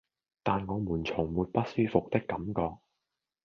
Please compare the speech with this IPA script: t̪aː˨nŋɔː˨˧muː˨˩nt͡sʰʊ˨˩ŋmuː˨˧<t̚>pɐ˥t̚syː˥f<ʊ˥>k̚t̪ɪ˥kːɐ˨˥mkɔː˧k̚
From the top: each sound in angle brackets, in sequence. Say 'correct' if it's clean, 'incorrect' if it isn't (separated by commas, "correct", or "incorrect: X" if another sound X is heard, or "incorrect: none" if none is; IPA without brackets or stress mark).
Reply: correct, incorrect: ʊ˨